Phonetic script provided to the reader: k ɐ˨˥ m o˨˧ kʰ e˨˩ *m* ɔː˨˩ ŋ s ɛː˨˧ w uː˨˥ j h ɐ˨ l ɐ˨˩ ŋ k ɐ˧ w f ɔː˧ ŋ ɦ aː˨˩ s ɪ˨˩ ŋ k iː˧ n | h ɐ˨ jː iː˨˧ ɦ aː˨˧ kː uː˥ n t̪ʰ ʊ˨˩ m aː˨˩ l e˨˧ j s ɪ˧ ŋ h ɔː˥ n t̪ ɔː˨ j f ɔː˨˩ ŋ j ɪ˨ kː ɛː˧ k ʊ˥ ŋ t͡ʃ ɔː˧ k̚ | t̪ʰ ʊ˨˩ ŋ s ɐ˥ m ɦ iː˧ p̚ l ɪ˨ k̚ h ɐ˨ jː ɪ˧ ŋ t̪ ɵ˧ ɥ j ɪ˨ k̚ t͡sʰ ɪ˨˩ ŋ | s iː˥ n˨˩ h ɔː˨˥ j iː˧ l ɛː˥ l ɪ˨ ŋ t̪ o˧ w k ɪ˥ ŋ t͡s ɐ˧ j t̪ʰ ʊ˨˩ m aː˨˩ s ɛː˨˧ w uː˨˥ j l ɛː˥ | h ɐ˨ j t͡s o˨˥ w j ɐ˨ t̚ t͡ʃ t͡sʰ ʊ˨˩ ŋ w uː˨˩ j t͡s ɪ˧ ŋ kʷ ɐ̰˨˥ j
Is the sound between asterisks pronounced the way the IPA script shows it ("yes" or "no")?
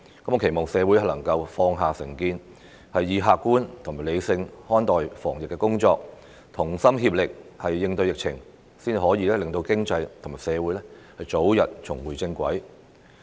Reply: yes